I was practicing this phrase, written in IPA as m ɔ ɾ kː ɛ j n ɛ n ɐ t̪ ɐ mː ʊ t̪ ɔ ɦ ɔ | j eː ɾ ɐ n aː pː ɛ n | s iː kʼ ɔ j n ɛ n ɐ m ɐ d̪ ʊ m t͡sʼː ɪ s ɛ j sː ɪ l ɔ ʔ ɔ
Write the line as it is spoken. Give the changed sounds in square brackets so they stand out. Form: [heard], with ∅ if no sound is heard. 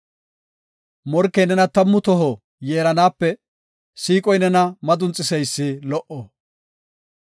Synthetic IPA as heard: m ɔ ɾ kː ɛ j n ɛ n ɐ t̪ ɐ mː ʊ t̪ ɔ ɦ ɔ | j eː ɾ ɐ n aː pː ɛ [∅] | s iː kʼ ɔ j n ɛ n ɐ m ɐ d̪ ʊ [n] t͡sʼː ɪ s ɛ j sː ɪ l ɔ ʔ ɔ

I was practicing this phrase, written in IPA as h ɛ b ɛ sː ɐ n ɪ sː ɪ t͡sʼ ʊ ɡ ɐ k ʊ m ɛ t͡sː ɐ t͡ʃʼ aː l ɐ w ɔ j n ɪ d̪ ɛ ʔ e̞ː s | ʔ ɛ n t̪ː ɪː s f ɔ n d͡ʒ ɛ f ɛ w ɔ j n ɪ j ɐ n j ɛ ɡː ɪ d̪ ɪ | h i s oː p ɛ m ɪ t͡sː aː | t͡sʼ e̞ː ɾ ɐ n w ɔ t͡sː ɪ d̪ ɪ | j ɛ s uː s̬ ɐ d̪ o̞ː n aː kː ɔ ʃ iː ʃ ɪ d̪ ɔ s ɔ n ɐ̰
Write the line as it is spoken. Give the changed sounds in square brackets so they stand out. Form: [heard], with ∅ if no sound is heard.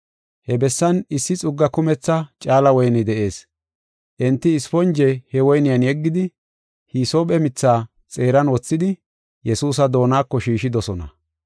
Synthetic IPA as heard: h ɛ b ɛ sː ɐ n ɪ sː ɪ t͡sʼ ʊ [ɡː] ɐ k ʊ m ɛ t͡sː ɐ t͡ʃʼ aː l ɐ w ɔ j n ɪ d̪ ɛ ʔ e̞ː s | ʔ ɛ n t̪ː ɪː s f ɔ n d͡ʒ ɛ [h] ɛ w ɔ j n ɪ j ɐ n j ɛ ɡː ɪ d̪ ɪ | h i s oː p ɛ m ɪ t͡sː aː | t͡sʼ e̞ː ɾ ɐ n w ɔ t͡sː ɪ d̪ ɪ | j ɛ s uː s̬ ɐ d̪ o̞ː n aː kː ɔ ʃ iː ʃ ɪ d̪ ɔ s ɔ n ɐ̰

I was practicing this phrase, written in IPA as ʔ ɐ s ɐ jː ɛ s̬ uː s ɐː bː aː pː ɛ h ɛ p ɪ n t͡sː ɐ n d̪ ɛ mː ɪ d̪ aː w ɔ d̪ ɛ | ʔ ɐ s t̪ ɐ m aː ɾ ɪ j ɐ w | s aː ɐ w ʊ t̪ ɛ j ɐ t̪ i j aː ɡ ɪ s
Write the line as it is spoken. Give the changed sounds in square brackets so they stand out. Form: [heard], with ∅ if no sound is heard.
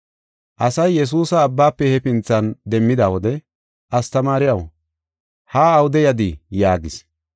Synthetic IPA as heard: ʔ ɐ s ɐ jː ɛ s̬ uː s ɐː bː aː pː ɛ h ɛ p ɪ n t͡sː ɐ n d̪ ɛ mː ɪ d̪ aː w ɔ d̪ ɛ | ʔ ɐ s t̪ ɐ m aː ɾ ɪ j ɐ w | [h] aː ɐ w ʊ [d̪] ɛ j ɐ [d̪] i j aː ɡ ɪ s

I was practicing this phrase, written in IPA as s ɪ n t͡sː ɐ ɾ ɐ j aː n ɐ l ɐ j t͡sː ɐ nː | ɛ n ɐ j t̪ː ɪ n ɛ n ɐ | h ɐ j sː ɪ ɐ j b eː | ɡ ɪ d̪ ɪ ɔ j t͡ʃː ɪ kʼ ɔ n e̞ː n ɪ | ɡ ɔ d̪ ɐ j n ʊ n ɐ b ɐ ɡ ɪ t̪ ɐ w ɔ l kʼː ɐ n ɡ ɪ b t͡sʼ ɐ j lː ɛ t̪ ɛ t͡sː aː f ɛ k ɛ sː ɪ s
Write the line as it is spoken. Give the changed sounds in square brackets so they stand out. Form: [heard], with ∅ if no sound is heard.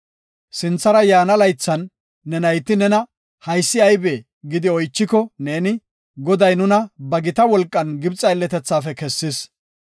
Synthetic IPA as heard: s ɪ n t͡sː ɐ ɾ ɐ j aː n ɐ l ɐ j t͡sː ɐ nː | ɛ n ɐ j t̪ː ɪ n ɛ n ɐ | h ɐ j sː ɪ ɐ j b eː | ɡ ɪ d̪ ɪ ɔ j t͡ʃː ɪ [k] ɔ n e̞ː n ɪ | ɡ ɔ d̪ ɐ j n ʊ n ɐ b ɐ ɡ ɪ t̪ ɐ w ɔ l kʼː ɐ n ɡ ɪ b t͡sʼ ɐ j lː ɛ t̪ ɛ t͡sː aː f ɛ k ɛ sː ɪ s

